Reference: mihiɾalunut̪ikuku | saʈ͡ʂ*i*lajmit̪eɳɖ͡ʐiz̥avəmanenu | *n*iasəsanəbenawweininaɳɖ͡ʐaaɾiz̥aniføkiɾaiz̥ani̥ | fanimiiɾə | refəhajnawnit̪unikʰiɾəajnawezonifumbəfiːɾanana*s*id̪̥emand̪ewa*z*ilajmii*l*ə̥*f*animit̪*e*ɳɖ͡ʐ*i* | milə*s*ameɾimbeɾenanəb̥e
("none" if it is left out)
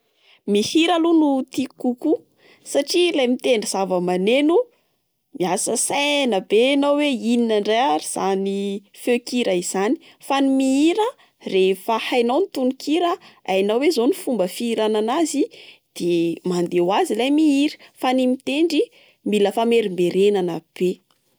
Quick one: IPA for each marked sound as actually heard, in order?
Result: i, m, z, z, ɾ, f, e, i, f

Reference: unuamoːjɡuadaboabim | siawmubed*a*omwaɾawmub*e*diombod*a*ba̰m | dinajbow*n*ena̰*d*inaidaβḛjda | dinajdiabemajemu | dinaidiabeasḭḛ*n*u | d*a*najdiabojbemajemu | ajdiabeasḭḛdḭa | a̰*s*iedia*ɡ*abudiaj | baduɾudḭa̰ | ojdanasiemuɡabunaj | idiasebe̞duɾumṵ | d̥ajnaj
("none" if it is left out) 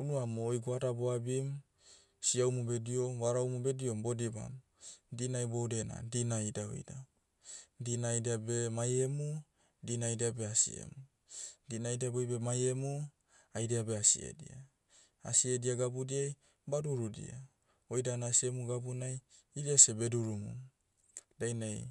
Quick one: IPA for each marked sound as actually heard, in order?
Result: i, e, i, d, d, m, i, s, ɡ

